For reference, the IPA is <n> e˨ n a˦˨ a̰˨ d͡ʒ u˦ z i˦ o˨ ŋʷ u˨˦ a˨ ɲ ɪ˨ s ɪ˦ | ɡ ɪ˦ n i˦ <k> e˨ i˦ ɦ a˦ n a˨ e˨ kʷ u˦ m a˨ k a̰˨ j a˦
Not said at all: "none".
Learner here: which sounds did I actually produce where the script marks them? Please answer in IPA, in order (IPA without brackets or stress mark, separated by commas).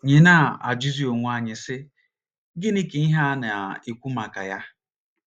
ɲ, k